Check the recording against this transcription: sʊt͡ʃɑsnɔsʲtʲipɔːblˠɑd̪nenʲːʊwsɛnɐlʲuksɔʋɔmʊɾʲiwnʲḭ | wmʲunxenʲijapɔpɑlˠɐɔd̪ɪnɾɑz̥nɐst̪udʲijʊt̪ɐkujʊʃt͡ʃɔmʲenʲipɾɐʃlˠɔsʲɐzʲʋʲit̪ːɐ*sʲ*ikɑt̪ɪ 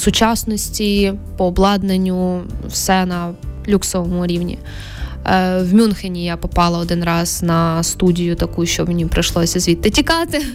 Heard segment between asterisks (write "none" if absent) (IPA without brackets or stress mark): tʲ